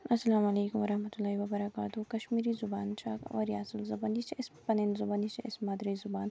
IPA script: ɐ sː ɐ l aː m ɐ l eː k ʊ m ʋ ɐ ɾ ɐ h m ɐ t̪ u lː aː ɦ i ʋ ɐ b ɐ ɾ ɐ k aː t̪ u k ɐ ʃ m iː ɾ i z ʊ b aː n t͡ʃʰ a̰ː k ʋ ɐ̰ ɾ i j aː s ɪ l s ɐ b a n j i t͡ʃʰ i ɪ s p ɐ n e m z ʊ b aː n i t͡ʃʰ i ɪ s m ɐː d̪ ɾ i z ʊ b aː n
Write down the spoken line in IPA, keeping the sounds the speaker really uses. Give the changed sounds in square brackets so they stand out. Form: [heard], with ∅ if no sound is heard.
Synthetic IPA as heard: ɐ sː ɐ l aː m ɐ l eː k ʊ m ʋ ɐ ɾ ɐ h m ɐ t̪ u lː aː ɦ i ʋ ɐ b ɐ ɾ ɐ k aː t̪ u k ɐ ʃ m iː ɾ i z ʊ b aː n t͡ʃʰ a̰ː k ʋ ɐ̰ ɾ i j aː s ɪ l [z] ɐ b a n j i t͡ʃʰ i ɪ s p ɐ n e [n] z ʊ b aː n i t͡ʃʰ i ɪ s m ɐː d̪ ɾ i z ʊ b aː n

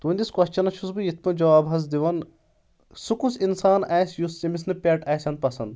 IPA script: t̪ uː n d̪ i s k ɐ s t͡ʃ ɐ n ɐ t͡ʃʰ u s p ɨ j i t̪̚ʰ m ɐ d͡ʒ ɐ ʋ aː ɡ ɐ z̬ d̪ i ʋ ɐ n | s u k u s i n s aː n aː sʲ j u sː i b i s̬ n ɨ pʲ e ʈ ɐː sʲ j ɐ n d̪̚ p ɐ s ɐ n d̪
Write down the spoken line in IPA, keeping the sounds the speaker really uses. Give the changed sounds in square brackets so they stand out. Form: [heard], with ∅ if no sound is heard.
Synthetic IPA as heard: t̪ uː n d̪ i s k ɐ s t͡ʃ ɐ n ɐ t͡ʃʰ u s [b] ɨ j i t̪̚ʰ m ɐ d͡ʒ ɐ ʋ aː [b] ɐ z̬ d̪ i ʋ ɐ n | s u k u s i n s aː n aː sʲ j u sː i [m] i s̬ n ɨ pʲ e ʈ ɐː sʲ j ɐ n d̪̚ p ɐ s ɐ n d̪

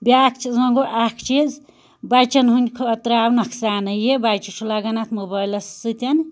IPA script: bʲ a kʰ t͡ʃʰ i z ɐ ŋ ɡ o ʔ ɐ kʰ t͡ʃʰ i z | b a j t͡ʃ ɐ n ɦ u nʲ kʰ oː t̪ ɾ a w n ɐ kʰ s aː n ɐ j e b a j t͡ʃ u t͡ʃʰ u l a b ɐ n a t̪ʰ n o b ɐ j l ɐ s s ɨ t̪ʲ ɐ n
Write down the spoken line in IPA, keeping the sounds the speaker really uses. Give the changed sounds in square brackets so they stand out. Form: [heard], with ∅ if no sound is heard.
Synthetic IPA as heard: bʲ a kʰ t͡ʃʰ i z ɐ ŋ ɡ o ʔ [a] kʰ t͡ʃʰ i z | b a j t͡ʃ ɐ n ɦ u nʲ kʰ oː t̪ ɾ a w n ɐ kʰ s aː n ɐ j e b a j t͡ʃ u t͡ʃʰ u l a [ɡ] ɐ n a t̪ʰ [m] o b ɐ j l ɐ s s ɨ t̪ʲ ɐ n

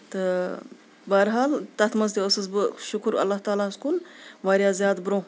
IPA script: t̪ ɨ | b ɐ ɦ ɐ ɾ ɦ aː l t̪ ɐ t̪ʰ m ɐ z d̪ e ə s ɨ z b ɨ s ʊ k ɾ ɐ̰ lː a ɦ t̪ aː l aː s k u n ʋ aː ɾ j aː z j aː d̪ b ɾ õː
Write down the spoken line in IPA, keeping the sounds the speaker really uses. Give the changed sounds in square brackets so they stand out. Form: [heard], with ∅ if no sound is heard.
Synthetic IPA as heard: t̪ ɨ | b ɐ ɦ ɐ ɾ ɦ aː l t̪ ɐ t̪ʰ m ɐ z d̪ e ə s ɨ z b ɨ [ʃ] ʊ k ɾ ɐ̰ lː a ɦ t̪ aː l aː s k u n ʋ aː ɾ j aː z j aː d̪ b ɾ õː

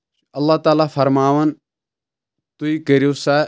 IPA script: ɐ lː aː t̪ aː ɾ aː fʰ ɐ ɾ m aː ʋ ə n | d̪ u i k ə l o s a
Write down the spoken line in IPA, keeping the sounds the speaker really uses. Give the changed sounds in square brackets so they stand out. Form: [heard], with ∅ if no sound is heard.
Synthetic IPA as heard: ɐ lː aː t̪ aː [l] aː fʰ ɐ ɾ m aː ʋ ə n | [t̪] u i k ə [ɾ] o s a

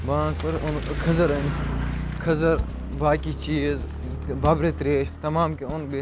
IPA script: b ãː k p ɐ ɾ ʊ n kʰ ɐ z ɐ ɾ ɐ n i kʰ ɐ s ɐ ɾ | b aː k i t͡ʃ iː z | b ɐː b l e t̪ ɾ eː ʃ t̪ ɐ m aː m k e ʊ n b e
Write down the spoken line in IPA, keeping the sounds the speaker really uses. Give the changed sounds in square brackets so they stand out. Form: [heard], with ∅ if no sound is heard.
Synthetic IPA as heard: b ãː k p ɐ ɾ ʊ n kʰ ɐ z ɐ ɾ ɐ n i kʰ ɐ [z] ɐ ɾ | b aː k i t͡ʃ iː z | b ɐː b [ɾ] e t̪ ɾ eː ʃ t̪ ɐ m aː m k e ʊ n b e

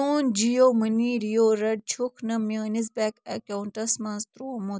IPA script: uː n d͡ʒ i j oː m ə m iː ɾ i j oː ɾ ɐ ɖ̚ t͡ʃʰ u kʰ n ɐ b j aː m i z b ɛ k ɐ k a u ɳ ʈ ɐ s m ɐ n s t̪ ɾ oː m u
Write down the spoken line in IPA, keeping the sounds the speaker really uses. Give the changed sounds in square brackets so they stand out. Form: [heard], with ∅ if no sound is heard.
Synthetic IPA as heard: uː n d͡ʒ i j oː m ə [n] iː ɾ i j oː ɾ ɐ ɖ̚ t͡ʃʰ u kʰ n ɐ [m] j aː [n] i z b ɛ k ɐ k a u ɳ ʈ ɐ s m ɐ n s t̪ ɾ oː m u

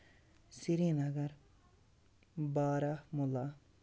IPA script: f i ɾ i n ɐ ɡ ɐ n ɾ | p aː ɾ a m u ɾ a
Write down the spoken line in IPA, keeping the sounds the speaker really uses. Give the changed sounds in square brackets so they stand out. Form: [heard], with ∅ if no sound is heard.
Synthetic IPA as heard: [s] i ɾ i n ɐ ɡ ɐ [∅] ɾ | [b] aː ɾ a m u [l] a

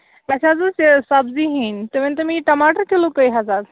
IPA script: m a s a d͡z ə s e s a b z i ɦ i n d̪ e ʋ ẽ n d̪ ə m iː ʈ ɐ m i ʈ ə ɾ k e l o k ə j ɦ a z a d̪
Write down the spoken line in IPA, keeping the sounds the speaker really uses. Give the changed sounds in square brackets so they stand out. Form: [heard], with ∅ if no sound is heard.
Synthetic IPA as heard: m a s a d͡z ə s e s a b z i ɦ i n [t̪] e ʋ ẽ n [t̪] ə m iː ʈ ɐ m [a] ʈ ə ɾ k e l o k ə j ɦ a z a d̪

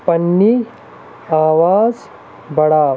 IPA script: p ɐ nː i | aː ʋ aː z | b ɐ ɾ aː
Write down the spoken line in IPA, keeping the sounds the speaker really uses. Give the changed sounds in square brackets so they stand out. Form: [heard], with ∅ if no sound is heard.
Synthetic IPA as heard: p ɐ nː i | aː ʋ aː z | b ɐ [ɽ] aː

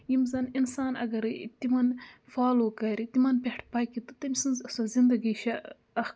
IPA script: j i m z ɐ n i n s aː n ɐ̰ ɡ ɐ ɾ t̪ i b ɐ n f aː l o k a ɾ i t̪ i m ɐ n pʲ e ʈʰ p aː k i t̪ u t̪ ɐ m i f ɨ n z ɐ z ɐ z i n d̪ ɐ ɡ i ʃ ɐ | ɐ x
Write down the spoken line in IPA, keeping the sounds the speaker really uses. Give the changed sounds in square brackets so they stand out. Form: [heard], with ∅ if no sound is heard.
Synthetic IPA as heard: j i m z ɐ n i n s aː n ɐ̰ ɡ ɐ ɾ t̪ i [m] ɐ n f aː l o k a ɾ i t̪ i m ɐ n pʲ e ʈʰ p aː k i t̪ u t̪ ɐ m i [s] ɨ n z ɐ [s] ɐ z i n d̪ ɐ ɡ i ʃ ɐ | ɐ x

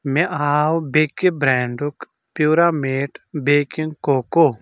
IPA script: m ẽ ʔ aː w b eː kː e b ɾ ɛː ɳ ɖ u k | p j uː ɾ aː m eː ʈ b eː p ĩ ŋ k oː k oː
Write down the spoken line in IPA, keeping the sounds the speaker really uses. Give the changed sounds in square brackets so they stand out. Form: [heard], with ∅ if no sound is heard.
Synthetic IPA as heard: m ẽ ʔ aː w b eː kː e b ɾ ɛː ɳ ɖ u k | p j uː ɾ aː m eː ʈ b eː [k] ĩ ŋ k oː k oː

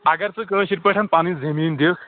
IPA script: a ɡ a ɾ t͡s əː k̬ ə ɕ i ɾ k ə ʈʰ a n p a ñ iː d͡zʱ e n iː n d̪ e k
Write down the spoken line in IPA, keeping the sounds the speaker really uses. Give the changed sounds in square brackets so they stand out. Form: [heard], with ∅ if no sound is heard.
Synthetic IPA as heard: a ɡ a ɾ t͡s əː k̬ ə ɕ i ɾ [p] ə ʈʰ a n p a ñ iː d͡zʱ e [m] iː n d̪ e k

